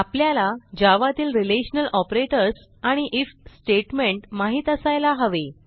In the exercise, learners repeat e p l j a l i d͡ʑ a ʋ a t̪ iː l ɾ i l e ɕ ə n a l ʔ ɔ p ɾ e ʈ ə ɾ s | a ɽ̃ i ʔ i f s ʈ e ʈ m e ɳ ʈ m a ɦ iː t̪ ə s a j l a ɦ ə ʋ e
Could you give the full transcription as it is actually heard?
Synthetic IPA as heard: a p l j a l a d͡ʑ a ʋ a t̪ iː l ɾ i l e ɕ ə n ə l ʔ ɔ p ɾ e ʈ ə ɾ s | a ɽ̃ i ʔ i f s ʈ e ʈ m e ɳ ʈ m a ɦ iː t̪ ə s a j l a ɦ ə ʋ e